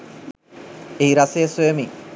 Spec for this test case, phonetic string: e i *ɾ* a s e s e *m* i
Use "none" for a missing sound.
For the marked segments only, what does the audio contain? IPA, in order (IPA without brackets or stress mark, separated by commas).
ɾ, m